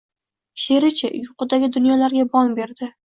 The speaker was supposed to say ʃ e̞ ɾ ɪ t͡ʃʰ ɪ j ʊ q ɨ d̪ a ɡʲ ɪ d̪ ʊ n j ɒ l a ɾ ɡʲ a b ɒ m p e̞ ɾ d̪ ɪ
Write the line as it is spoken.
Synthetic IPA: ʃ e̞ ɾ ɪ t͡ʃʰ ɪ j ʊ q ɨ d̪ a ɡʲ ɪ d̪ ʊ n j ɒ l a ɾ ɡʲ a b ɒ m b e̞ ɾ d̪ ɪ

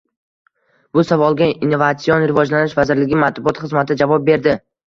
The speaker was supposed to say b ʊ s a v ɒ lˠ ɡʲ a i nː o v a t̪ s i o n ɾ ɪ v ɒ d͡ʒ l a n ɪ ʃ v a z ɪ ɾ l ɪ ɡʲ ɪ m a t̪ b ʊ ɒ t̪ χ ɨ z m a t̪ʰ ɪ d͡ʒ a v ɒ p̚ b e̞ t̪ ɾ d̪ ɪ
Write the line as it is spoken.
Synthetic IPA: b ʊ s a v ɒ lˠ ɡʲ a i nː o v a t̪ s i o n ɾ ɪ v ɒ d͡ʒ l a n ɪ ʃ v a z ɪ ɾ l ɪ ɡʲ ɪ m a t̪ b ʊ ɒ t̪ χ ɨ z m a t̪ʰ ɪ d͡ʒ a v ɒ p̚ b e̞ ɾ d̪ ɪ

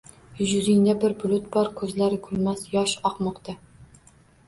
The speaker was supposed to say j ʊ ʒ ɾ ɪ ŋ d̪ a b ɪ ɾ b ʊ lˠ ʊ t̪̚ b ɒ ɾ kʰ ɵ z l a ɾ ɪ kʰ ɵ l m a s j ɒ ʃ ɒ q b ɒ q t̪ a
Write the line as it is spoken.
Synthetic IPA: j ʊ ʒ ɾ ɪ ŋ d̪ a b ɪ ɾ b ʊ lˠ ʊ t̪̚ b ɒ ɾ kʰ ɵ z l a ɾ ɪ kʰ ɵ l m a s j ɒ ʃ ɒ q m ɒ q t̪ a

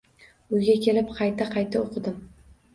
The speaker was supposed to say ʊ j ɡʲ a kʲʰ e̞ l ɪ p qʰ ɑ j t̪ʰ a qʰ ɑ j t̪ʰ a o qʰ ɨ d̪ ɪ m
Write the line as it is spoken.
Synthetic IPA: ʊ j ɡʲ a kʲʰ e̞ l ɪ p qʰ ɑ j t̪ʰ a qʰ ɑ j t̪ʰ a o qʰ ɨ d̪ ɪ m

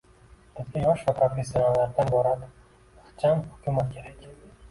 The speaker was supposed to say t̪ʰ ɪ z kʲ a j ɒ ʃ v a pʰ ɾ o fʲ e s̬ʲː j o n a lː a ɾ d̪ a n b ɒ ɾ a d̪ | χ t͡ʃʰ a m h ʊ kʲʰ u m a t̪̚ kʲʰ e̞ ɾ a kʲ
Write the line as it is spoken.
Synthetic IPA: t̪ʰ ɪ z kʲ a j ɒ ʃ v a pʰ ɾ o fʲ e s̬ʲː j o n a lː a ɾ d̪ a n b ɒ ɾ a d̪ | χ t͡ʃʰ a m h ʊ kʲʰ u m a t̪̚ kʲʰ e̞ ɾ a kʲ

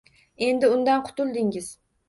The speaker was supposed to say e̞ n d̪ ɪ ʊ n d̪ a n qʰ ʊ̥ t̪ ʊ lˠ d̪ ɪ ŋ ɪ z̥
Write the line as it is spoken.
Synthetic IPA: e̞ n d̪ ɪ ʊ n d̪ a n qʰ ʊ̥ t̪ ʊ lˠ d̪ ɪ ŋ ɪ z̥

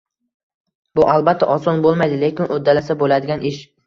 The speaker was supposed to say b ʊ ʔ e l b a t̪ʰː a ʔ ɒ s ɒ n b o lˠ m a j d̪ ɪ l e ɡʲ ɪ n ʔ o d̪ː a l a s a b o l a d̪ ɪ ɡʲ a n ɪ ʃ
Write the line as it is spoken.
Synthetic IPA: b ʊ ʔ a l b a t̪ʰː a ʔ ɒ s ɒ n b o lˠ m a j d̪ ɪ l e kʲ ɪ n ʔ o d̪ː a l a s a b o l a d̪ ɪ ɡʲ a n ɪ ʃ

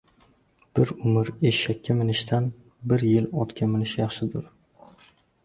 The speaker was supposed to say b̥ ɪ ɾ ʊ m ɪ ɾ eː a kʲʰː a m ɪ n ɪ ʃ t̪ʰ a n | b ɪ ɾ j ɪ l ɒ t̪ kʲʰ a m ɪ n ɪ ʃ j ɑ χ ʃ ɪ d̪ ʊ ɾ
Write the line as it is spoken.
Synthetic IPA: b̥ ɪ ɾ ʊ m ɪ ɾ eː a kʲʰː a m ɪ n ɪ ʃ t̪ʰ a n | b ɪ ɾ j ɪ l ɒ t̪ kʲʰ a m ɪ n ɪ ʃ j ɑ χ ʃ ɪ d̪ ʊ ɾ

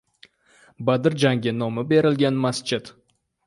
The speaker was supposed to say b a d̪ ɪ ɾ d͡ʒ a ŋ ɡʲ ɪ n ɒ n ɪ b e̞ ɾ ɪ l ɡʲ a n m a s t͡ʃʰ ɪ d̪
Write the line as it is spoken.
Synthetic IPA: b a d̪ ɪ ɾ d͡ʒ a ŋ ɡʲ ɪ n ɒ m ɪ b e̞ ɾ ɪ l ɡʲ a n m a s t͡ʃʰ ɪ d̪

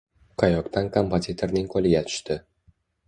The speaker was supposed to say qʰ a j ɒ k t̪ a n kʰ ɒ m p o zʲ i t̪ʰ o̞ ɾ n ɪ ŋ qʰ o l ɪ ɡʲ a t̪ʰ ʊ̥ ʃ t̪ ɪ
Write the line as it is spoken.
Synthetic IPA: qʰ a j ɒ k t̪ a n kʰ o m p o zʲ i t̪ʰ o̞ ɾ n ɪ ŋ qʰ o l ɪ ɡʲ a t̪ʰ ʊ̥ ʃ t̪ ɪ

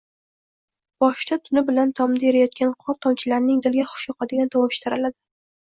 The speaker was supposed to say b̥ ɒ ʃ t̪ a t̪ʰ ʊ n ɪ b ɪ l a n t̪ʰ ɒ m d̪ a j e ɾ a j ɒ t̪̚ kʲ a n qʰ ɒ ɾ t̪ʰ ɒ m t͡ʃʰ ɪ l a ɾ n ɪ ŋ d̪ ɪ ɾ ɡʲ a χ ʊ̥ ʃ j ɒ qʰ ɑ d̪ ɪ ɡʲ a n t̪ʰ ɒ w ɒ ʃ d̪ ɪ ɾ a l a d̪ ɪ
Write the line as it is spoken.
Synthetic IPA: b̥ ɒ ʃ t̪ a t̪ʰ ʊ n ɪ b ɪ l a n t̪ʰ ɒ m d̪ a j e ɾ a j ɒ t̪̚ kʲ a n qʰ ɒ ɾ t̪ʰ ɒ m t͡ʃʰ ɪ l a ɾ n ɪ ŋ d̪ ɪ l ɡʲ a χ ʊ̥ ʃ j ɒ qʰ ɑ d̪ ɪ ɡʲ a n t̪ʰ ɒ w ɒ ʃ t̪ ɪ ɾ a l a d̪ ɪ

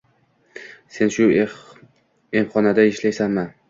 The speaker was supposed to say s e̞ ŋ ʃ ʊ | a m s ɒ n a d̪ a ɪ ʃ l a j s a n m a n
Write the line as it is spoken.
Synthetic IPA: s e̞ n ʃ ʊ | e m χ ɒ n a d̪ a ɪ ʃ l a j s a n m a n

